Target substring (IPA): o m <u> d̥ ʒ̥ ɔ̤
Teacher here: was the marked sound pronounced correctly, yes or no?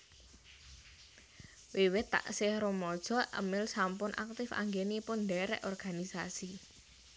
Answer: no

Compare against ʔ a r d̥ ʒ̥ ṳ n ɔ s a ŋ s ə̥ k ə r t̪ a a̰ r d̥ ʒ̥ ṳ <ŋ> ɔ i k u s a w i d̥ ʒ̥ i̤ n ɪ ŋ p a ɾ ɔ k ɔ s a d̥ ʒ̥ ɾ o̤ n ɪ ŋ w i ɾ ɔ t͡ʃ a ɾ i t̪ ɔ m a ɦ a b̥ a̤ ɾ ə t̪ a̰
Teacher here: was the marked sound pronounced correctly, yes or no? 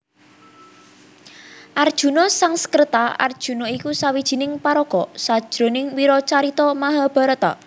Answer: no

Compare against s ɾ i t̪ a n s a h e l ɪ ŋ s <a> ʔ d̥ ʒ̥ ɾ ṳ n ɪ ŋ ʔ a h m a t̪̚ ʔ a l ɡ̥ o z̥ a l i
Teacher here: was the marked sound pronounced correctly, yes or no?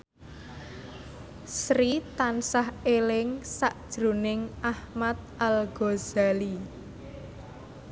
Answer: yes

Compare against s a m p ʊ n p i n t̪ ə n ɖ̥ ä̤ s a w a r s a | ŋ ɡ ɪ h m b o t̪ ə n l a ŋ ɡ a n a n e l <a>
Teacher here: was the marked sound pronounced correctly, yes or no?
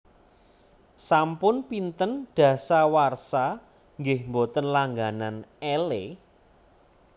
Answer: no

